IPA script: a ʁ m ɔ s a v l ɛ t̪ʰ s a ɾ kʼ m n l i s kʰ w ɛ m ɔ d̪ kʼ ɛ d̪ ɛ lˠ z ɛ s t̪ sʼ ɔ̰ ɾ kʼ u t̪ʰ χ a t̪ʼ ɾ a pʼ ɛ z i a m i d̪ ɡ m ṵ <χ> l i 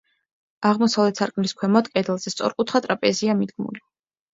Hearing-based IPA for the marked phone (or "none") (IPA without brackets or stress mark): none